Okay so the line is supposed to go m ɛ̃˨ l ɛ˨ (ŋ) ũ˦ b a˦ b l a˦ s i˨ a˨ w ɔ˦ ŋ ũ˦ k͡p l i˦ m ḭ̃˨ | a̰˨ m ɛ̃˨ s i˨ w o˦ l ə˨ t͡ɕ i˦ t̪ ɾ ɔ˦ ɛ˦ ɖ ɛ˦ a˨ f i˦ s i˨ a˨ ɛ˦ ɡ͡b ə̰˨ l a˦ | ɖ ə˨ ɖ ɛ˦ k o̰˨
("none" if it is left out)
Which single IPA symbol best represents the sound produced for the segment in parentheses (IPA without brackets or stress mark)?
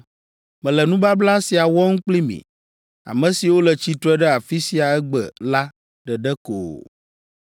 n